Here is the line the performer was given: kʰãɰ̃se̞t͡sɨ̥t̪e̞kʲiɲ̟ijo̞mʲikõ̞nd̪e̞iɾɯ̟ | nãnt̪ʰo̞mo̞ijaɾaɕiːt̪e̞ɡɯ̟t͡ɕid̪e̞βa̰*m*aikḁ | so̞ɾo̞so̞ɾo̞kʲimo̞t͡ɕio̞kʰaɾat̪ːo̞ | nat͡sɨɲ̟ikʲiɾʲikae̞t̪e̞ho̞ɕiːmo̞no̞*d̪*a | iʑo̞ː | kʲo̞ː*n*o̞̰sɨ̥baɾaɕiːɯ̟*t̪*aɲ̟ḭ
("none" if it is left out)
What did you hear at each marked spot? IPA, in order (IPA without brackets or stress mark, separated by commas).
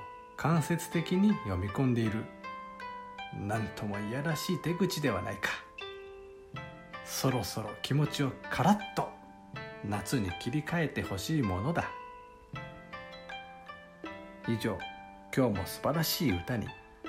n, d̪, m, t̪